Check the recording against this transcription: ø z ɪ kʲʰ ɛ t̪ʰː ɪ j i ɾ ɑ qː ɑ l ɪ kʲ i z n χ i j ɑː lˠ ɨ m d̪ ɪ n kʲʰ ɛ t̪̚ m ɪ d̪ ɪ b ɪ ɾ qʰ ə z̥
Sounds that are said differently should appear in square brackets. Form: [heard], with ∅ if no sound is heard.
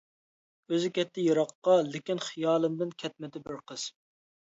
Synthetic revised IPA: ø z ɪ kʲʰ ɛ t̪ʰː ɪ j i ɾ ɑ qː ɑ l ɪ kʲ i [∅] n χ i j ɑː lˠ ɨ m d̪ ɪ n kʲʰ ɛ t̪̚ m ɪ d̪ ɪ b ɪ ɾ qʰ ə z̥